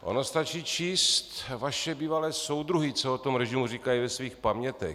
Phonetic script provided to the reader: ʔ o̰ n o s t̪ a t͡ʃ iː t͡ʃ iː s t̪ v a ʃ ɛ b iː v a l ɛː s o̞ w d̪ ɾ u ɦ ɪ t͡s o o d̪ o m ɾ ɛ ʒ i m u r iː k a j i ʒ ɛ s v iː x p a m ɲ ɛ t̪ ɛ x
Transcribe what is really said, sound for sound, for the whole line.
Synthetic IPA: ʔ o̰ n o s t̪ a t͡ʃ iː t͡ʃ iː s t̪ v a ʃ ɛ b iː v a l ɛː s o̞ w d̪ ɾ u ɦ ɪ t͡s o o t̪ o m ɾ ɛ ʒ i m u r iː k a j i v ɛ s v iː x p a m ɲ ɛ t̪ ɛ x